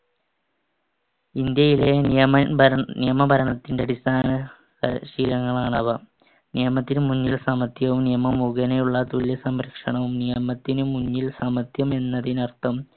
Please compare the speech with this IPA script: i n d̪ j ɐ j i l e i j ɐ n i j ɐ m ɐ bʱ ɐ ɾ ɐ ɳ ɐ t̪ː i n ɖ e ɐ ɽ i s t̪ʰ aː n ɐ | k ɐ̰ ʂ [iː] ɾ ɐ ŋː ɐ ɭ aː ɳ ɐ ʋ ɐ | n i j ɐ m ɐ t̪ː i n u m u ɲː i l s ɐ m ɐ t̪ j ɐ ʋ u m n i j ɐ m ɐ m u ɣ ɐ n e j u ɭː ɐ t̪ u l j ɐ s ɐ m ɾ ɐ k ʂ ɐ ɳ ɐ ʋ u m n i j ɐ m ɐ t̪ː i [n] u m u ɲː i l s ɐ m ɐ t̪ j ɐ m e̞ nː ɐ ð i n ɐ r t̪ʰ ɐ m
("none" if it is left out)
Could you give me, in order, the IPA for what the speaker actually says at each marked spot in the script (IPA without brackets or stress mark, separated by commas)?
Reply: iː, n